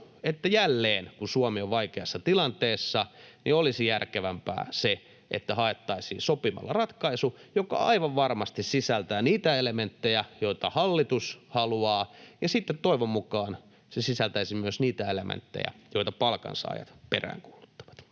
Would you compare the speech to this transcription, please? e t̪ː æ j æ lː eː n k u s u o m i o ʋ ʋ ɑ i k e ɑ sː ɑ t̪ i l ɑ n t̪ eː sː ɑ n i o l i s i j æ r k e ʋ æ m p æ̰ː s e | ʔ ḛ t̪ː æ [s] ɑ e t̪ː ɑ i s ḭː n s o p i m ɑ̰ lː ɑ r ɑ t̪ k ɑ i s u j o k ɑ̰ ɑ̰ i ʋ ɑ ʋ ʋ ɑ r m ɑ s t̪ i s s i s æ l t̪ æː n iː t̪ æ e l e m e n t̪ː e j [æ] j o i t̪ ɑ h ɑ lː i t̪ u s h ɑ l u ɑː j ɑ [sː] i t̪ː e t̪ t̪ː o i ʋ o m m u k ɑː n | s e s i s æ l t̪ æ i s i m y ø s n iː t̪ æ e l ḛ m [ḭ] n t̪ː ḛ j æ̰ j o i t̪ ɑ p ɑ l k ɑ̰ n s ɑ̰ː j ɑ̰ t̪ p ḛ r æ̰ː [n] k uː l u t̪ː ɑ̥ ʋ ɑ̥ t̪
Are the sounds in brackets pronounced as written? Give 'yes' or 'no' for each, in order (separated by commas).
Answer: no, yes, no, no, no